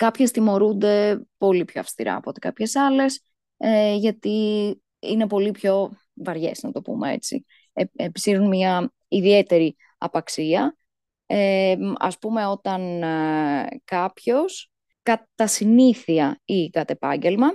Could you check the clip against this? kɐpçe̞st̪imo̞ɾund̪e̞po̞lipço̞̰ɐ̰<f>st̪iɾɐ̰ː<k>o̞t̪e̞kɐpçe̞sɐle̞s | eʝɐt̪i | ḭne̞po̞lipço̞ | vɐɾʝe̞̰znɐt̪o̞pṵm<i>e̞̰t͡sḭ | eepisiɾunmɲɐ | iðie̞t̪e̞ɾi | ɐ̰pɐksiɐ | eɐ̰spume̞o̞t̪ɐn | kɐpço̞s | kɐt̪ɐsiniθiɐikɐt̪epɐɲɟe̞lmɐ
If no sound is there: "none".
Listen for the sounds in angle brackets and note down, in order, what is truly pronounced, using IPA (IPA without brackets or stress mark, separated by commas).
f, p, e